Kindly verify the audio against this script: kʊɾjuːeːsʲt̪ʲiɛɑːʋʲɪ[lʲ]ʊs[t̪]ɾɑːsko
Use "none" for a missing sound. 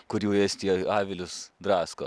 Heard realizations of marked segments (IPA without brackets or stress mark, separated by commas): lʲ, d̪